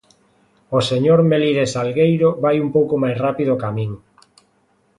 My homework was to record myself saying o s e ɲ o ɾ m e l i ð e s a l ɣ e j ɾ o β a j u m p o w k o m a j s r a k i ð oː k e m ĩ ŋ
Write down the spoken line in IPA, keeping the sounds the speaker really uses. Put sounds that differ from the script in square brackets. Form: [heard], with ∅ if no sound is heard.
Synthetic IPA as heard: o s e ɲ o ɾ m e l i ð e s a l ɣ e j ɾ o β a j u m p o w k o m a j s r a [p] i ð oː k [a] m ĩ ŋ